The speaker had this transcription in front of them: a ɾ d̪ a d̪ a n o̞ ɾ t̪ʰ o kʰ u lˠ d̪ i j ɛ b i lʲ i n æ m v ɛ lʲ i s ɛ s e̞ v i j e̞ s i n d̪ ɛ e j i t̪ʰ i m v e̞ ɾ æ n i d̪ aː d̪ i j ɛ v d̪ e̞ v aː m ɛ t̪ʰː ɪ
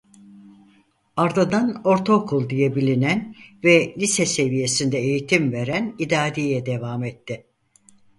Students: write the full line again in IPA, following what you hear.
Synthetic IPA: a ɾ d̪ a d̪ a n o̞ ɾ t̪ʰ o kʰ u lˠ d̪ i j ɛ b i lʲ i n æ n v ɛ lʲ i s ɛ s e̞ v i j e̞ s i n d̪ ɛ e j i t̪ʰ i m v e̞ ɾ æ n i d̪ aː d̪ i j ɛ d̪ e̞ v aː m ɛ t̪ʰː ɪ